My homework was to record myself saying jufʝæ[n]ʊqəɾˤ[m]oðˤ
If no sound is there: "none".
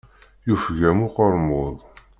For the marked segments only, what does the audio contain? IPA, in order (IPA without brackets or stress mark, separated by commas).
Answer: m, m